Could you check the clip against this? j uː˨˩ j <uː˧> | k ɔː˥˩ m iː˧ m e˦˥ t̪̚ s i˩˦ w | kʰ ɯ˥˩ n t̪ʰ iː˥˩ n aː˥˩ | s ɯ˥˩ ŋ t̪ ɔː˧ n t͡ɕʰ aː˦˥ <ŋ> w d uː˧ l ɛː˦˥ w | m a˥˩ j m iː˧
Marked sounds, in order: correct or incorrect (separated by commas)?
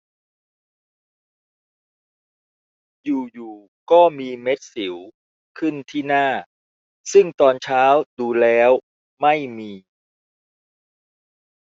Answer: incorrect, incorrect